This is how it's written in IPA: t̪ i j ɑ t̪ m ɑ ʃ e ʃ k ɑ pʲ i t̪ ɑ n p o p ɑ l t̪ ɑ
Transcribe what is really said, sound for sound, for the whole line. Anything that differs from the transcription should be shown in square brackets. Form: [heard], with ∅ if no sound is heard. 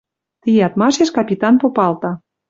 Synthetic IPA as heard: t̪ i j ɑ t̪ m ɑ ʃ e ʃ k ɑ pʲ i t̪ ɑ n p o p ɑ l t̪ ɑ